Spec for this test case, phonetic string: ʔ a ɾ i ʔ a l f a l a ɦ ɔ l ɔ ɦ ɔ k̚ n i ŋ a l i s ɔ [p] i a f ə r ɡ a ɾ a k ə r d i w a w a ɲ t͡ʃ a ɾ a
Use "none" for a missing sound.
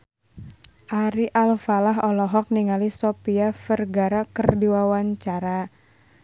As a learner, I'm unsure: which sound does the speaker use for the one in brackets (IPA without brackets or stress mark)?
p